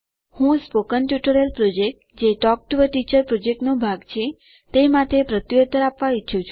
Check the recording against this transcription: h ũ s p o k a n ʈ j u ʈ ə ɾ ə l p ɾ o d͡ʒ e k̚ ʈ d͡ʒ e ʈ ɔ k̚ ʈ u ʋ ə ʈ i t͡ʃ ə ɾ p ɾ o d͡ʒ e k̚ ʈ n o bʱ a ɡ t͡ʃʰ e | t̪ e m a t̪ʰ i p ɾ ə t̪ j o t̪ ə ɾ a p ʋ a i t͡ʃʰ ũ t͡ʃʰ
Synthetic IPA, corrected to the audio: h ũ s p o k ə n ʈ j u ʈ ə ɾ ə l p ɾ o d͡ʒ e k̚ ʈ d͡ʒ e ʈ ɔ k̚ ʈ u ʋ ə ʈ i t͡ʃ ə ɾ p ɾ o d͡ʒ e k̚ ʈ n o bʱ a ɡ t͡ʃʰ e | t̪ e m a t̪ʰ e p ɾ ə t̪ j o t̪ ə ɾ a p ʋ a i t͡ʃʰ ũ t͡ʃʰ